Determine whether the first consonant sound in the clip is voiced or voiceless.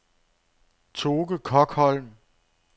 voiceless